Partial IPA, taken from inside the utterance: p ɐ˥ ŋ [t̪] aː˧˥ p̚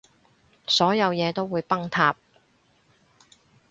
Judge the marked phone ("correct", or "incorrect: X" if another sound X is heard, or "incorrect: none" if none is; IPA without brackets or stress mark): incorrect: t̪ʰ